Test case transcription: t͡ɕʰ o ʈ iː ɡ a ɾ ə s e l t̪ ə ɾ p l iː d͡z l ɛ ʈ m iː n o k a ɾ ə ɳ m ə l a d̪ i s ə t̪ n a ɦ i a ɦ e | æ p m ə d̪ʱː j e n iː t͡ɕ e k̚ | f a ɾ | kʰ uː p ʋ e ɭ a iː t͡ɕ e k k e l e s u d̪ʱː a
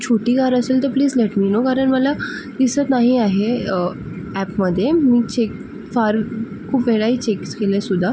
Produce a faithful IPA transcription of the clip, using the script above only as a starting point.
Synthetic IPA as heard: t͡ɕʰ o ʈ iː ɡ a ɾ ə s e l t̪ ə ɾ p l iː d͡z l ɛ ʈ m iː n o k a ɾ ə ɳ m ə l a d̪ i s ə t̪ n a ɦ i a ɦ e | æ p m ə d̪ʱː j e m iː t͡ɕ e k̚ | f a ɾ | kʰ uː p ʋ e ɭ a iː t͡ɕ e k k e l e s u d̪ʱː a